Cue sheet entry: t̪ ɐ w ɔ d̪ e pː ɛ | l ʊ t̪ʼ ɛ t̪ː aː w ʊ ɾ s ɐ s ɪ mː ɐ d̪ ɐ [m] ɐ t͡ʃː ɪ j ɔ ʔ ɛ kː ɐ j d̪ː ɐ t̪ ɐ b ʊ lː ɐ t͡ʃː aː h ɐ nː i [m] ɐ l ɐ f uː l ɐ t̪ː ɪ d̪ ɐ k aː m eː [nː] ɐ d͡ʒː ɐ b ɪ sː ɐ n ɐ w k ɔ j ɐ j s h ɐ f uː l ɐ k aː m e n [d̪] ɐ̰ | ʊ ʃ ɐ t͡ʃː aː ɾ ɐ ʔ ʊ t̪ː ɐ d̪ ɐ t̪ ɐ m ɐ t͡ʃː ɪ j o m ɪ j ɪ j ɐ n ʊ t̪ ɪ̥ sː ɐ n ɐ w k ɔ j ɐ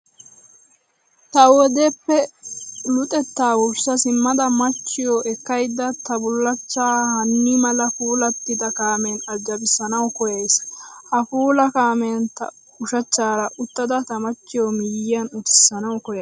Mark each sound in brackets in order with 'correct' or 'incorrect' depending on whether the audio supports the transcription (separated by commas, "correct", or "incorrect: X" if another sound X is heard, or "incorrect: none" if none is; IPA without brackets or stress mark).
correct, correct, incorrect: n, incorrect: t̪